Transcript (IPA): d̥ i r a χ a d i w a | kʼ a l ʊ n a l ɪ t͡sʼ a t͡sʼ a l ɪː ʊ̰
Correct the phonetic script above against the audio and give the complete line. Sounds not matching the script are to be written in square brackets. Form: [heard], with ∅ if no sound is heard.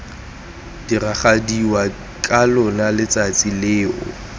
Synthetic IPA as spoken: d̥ i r a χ a d i w a | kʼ a l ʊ n a l ɪ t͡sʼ a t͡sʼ [i] l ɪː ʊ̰